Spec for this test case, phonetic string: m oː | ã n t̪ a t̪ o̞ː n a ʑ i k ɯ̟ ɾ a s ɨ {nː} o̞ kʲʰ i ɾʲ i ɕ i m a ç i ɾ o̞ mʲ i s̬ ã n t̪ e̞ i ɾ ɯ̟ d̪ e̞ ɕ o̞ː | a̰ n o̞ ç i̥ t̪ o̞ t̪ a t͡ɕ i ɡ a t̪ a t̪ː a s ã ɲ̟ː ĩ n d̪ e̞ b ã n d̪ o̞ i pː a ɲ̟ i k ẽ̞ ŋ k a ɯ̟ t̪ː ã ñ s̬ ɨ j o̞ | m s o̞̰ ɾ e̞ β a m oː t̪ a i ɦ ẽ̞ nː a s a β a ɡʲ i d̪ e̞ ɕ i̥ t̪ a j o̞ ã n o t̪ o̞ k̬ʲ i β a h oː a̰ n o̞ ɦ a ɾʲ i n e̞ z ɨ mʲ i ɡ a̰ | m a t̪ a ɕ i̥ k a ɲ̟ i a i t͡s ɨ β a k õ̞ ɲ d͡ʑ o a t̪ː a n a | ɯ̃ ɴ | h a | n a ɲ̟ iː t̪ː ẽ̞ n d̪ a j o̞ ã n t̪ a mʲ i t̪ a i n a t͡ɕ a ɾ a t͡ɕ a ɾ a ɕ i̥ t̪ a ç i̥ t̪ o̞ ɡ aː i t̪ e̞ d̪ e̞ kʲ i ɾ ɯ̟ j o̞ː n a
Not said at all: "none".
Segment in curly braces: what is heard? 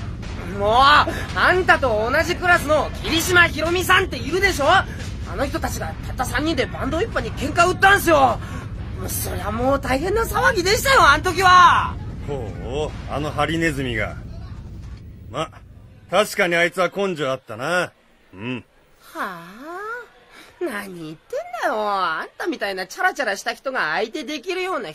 n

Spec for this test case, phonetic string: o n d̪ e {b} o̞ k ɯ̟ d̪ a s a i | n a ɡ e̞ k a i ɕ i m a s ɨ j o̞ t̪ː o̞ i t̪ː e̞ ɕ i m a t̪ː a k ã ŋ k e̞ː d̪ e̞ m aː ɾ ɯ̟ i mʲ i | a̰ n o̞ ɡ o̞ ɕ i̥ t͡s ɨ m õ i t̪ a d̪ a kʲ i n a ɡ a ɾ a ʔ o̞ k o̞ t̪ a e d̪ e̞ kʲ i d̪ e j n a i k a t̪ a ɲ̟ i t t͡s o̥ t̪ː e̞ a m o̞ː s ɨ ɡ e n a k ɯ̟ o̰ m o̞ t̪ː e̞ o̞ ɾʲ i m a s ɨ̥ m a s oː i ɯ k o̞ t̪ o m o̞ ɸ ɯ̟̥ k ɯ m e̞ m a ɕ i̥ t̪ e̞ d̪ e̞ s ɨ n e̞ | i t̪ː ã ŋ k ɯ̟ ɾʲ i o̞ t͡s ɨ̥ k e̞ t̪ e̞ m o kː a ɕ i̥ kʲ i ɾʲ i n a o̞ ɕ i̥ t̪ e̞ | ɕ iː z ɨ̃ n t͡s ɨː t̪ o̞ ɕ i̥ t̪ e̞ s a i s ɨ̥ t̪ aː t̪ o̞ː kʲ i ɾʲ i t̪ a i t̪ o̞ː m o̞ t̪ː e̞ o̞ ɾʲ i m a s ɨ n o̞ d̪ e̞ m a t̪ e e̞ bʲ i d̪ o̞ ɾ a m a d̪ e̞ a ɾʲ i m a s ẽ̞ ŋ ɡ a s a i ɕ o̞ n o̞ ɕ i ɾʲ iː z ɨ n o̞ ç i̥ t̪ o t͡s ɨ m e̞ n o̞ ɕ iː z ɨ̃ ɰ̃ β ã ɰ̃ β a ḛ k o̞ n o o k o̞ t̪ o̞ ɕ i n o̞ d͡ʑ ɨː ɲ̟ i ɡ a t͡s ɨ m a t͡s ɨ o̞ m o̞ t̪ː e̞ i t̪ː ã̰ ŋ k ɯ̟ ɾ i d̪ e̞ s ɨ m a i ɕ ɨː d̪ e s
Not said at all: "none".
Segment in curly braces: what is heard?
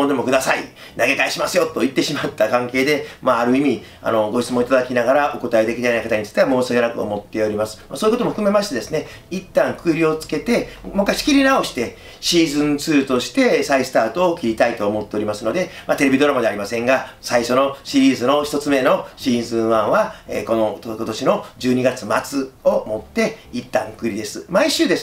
m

